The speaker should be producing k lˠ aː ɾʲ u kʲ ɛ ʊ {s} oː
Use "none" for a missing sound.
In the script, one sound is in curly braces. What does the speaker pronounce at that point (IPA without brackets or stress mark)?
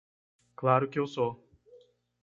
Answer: s